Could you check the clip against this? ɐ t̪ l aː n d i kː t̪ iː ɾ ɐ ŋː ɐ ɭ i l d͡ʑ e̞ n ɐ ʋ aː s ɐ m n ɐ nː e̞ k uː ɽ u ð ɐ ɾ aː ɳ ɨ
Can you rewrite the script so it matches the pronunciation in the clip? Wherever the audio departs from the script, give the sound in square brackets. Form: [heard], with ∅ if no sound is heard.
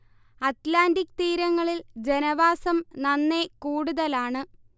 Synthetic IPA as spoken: ɐ t̪ l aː n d i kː t̪ iː ɾ ɐ ŋː ɐ ɭ i l d͡ʑ e̞ n ɐ ʋ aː s ɐ m n ɐ nː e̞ k uː ɽ u ð ɐ [l] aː ɳ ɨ